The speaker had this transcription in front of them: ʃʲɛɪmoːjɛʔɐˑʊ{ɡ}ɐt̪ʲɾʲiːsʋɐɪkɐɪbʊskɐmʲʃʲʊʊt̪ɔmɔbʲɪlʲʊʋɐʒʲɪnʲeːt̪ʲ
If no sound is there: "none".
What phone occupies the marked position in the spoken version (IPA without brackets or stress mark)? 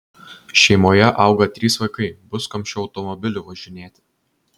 ɡ